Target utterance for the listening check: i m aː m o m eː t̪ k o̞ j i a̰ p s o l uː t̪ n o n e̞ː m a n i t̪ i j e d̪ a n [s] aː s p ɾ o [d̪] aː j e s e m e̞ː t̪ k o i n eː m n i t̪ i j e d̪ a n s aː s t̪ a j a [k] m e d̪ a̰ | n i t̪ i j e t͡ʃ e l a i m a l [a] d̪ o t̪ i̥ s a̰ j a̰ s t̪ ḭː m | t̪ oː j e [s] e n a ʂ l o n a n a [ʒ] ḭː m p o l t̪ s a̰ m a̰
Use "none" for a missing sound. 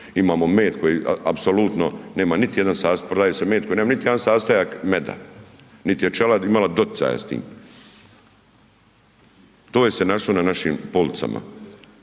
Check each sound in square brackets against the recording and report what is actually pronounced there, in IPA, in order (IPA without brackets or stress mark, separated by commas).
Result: s, d̪, k, a, s, ʃ